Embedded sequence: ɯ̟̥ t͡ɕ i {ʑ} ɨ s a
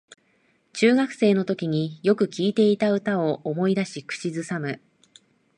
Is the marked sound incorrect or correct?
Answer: incorrect